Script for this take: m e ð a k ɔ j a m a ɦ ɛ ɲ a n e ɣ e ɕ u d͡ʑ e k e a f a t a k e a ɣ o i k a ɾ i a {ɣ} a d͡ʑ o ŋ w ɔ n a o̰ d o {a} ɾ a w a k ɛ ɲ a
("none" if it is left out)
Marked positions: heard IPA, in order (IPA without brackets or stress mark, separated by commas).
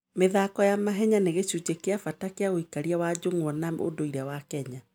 w, i